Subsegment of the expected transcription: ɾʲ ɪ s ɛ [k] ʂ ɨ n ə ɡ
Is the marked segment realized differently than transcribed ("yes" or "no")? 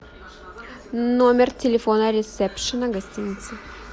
yes